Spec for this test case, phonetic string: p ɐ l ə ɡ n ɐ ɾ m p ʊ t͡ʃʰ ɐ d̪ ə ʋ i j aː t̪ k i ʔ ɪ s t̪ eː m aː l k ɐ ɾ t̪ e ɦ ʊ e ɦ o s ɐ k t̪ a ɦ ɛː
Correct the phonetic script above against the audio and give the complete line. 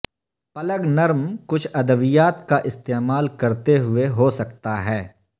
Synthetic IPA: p ɐ l ə ɡ n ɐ ɾ m k ʊ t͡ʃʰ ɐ d̪ ə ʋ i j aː t̪ k a ʔ ɪ s t̪ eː m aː l k ɐ ɾ t̪ e ɦ ʊ e ɦ o s ɐ k t̪ a ɦ ɛː

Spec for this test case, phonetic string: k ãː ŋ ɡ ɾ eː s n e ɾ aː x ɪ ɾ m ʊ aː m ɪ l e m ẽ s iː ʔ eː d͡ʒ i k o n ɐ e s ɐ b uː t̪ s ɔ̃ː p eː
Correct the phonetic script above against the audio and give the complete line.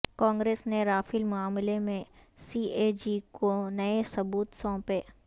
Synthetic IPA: k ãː ŋ ɡ ɾ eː s n e ɾ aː f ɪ l m ʊ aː m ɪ l e m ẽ s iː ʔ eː d͡ʒ i k o n ɐ e s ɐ b uː t̪ s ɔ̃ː p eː

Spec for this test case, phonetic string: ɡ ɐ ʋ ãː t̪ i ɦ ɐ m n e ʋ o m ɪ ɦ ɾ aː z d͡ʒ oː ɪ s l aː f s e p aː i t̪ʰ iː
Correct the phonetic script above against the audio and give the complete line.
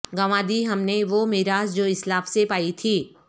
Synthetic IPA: ɡ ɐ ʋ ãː d̪ i ɦ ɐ m n e ʋ o m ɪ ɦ ɾ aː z d͡ʒ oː ɪ s l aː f s e p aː i t̪ʰ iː

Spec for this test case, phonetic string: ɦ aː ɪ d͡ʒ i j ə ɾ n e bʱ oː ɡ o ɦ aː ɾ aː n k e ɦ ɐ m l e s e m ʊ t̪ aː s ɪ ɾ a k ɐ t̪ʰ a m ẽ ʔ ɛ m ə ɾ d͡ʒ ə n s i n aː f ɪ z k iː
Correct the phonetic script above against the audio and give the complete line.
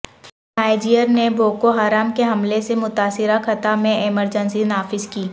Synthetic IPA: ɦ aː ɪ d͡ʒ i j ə ɾ n e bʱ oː k o ɦ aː ɾ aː m k e ɦ ɐ m l e s e m ʊ t̪ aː s ɪ ɾ a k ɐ t̪ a m ẽ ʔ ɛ m ə ɾ d͡ʒ ə n s i n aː f ɪ z k iː

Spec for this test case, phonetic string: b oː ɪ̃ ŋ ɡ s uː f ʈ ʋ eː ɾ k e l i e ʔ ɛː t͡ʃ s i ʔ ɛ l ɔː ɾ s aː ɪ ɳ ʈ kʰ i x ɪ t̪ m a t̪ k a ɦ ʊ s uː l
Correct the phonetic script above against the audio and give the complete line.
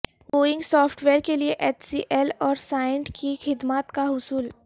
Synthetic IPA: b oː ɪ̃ ŋ ɡ s ɔː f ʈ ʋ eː ɾ k e l i e ʔ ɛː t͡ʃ s i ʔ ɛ l ɔː ɾ s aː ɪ ɳ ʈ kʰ i x ɪ d̪ m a t̪ k a ɦ ʊ s uː l

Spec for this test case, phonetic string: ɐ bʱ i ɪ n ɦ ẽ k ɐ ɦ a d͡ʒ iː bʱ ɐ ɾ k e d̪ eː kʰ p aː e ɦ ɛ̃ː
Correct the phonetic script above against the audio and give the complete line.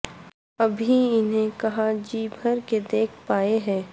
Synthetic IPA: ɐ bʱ i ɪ n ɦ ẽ k ɐ ɦ a d͡ʒ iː bʱ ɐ ɾ k e d̪ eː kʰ p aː e ɦ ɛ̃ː

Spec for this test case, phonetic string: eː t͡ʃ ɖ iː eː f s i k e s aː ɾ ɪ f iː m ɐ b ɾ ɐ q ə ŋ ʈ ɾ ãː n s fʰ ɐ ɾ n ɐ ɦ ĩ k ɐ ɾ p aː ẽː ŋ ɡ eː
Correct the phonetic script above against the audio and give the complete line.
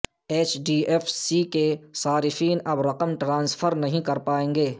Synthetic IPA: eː t͡ʃ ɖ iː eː f s i k e s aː ɾ ɪ f iː n ɐ b ɾ ɐ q ə m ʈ ɾ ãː n s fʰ ə ɾ n ɐ ɦ ĩ k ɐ ɾ p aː ẽː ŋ ɡ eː

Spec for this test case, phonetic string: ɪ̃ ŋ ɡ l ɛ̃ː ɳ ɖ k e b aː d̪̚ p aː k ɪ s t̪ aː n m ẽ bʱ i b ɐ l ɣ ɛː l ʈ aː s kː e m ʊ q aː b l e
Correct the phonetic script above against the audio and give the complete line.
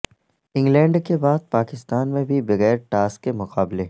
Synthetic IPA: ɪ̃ ŋ ɡ l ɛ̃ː ɳ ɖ k e b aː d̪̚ p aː k ɪ s t̪ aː n m ẽ bʱ i b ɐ ɣ ɛː ɾ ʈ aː s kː e m ʊ q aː b l e

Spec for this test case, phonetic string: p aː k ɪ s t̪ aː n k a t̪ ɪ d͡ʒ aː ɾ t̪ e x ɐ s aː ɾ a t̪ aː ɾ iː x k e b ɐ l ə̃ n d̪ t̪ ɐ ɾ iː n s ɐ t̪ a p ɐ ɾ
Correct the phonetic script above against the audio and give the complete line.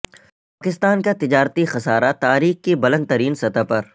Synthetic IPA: p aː k ɪ s t̪ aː n k a t̪ ɪ d͡ʒ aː ɾ t̪ i x ɐ s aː ɾ a t̪ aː ɾ iː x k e b ɐ l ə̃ n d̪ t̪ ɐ ɾ iː n s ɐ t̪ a p ɐ ɾ

